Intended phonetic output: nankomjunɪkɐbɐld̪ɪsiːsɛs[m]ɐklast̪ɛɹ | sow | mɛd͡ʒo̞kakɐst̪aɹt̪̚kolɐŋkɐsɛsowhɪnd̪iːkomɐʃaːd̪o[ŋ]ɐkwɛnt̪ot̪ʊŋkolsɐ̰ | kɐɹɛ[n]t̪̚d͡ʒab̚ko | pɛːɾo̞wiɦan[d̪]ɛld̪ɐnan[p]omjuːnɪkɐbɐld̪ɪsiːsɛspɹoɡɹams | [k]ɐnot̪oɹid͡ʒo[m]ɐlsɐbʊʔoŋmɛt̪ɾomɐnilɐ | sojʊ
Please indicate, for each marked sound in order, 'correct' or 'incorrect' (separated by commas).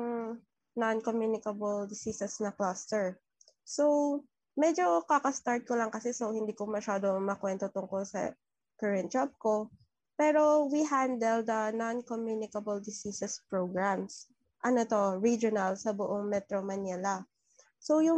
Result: incorrect, incorrect, correct, correct, incorrect, incorrect, incorrect